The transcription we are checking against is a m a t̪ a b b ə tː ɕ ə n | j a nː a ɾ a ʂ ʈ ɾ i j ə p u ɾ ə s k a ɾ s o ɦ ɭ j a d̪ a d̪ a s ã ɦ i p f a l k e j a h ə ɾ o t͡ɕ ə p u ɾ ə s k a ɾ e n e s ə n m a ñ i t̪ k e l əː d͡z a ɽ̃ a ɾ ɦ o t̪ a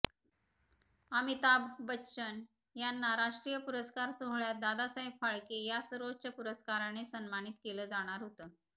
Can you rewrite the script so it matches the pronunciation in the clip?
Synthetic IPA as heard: a m i t̪ a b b ə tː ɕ ə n | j a nː a ɾ a ʂ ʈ ɾ i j ə p u ɾ ə s k a ɾ s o ɦ ɭ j a d̪ a d̪ a s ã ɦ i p f a ɭ k e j a s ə ɾ o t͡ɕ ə p u ɾ ə s k a ɾ a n e s ə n m a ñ i t̪ k e l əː d͡z a ɽ̃ a ɾ ɦ o t̪ ə